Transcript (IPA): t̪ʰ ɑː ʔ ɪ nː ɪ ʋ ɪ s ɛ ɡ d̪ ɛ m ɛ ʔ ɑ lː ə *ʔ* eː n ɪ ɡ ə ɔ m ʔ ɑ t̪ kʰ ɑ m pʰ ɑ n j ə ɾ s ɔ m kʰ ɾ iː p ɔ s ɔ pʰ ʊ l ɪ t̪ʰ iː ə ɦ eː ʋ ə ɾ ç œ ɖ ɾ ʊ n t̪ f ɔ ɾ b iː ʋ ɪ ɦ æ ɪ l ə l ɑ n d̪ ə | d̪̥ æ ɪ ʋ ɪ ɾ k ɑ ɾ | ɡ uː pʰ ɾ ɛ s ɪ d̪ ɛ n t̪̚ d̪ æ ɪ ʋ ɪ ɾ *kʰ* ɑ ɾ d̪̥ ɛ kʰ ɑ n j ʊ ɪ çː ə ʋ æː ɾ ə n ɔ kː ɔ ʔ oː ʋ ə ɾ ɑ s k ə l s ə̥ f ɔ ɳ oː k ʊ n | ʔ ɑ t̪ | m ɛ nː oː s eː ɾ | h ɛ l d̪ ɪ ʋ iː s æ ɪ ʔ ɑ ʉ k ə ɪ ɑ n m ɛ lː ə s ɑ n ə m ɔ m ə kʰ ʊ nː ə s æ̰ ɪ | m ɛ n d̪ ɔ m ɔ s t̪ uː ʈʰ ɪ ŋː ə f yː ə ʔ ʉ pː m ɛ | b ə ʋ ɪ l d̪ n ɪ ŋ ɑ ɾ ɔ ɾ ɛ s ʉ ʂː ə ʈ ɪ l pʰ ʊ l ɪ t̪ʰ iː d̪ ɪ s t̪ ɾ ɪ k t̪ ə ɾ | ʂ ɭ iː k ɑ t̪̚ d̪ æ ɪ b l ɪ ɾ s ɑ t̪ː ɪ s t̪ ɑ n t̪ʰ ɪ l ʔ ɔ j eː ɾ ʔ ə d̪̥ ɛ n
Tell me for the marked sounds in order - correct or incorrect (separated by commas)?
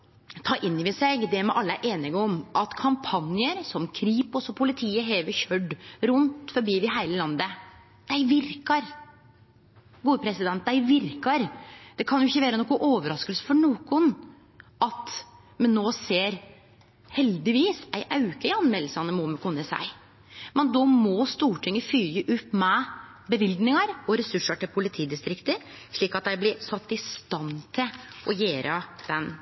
correct, incorrect